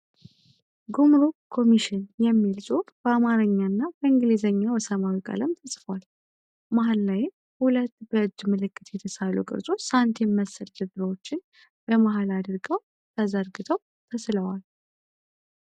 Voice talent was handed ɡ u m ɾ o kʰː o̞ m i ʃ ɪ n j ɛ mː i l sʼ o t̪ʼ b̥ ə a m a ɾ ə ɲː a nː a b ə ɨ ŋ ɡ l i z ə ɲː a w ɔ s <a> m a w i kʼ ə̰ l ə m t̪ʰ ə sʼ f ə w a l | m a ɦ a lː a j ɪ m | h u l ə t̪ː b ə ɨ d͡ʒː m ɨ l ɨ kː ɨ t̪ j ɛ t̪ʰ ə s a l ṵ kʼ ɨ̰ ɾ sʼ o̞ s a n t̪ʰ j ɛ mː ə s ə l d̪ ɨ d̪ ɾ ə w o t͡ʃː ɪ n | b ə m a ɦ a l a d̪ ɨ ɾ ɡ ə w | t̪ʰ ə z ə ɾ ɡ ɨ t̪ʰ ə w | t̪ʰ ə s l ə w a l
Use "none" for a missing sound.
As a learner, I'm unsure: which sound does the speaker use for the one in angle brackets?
ə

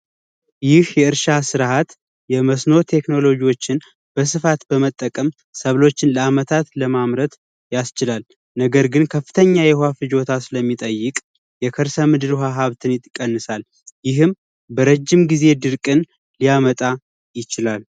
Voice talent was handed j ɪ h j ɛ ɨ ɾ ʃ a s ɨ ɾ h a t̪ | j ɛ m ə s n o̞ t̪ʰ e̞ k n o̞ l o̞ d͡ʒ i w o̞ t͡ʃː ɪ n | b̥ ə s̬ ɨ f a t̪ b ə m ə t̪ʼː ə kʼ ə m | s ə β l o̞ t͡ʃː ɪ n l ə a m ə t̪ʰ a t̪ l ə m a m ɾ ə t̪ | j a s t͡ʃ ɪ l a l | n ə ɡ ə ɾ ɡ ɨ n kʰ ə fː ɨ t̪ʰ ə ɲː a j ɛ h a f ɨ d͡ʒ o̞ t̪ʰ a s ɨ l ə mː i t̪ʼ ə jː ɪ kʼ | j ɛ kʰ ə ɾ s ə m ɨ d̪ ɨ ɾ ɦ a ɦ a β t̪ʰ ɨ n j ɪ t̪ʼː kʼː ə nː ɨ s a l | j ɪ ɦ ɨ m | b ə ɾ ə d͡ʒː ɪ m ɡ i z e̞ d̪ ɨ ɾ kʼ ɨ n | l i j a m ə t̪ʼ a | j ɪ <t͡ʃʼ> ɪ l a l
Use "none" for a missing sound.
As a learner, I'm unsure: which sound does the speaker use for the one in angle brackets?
t͡ʃ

